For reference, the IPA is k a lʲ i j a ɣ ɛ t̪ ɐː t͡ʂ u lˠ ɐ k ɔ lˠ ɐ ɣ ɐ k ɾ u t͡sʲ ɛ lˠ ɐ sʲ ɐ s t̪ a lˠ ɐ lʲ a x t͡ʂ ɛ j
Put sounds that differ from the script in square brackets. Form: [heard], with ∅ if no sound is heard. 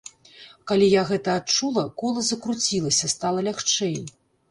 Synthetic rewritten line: k a lʲ i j a ɣ ɛ t̪ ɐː t͡ʂ u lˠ ɐ k ɔ lˠ ɐ [z] ɐ k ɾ u t͡sʲ [i] lˠ ɐ sʲ ɐ s t̪ a lˠ ɐ lʲ a x t͡ʂ ɛ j